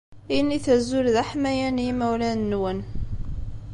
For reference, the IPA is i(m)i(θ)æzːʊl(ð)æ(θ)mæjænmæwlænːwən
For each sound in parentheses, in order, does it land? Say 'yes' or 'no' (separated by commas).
no, yes, yes, no